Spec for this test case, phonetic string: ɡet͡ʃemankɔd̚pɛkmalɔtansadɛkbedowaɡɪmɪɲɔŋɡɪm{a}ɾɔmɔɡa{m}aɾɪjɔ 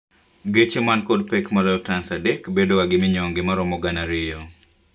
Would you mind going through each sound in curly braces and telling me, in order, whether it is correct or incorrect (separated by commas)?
correct, incorrect